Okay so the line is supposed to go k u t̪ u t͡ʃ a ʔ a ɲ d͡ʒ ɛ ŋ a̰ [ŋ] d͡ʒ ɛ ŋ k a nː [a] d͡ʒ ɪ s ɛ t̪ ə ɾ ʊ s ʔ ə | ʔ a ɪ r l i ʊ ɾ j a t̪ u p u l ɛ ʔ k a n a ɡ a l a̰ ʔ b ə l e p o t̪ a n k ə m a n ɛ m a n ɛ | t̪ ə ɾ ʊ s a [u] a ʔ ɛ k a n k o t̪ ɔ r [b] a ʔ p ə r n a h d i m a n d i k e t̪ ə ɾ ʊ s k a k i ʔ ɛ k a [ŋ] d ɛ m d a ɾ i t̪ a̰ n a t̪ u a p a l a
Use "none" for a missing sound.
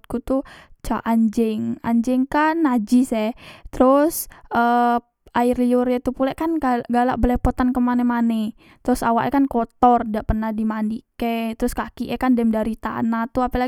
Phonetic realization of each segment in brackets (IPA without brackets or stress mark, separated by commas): ɲ, a, w, d, n